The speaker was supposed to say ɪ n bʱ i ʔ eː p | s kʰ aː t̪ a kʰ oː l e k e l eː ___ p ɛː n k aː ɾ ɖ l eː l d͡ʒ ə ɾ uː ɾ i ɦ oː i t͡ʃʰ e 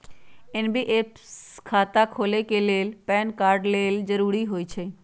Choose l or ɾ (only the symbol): l